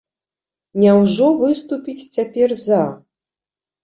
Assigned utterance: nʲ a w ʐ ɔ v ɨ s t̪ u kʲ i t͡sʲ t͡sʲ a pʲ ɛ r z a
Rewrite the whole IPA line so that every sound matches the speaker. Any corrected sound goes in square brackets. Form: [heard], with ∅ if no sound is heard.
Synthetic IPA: nʲ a w ʐ ɔ v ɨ s t̪ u [pʲ] i t͡sʲ t͡sʲ a pʲ ɛ r z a